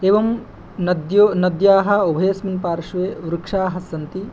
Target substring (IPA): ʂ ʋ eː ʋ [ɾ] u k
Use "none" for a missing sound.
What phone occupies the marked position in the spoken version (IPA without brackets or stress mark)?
ɾ